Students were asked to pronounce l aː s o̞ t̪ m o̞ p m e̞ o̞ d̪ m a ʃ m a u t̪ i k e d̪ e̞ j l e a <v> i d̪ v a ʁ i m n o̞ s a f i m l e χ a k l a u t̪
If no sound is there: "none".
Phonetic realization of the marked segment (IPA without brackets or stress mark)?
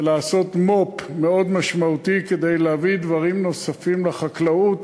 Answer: v